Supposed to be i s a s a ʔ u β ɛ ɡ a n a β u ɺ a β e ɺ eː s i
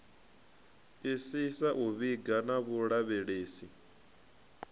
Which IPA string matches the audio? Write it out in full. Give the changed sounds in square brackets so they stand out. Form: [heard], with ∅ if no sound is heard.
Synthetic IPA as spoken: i s [i] s a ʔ u β [i] ɡ a n a β u ɺ a β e ɺ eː s i